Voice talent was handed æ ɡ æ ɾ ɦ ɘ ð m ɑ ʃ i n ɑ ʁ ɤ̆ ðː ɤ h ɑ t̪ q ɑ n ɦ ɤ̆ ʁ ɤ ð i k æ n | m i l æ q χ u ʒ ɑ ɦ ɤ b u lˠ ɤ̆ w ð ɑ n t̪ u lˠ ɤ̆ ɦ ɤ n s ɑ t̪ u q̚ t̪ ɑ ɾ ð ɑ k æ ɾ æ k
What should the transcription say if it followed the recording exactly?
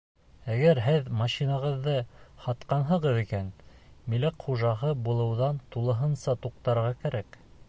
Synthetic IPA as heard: æ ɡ æ ɾ ɦ ɘ ð m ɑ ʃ i n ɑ ʁ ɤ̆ ðː ɤ h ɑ t̪ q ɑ n ɦ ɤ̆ ʁ ɤ ð i k æ n | m i l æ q χ u ʒ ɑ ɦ ɤ b u lˠ ɤ̆ w ð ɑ n t̪ u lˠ ɤ̆ ɦ ɤ n s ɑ t̪ u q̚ t̪ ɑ ɾ ʁ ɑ k æ ɾ æ k